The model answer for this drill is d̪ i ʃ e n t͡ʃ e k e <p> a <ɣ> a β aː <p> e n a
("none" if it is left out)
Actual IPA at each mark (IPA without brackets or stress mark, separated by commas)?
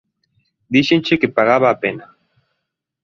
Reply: p, ɣ, p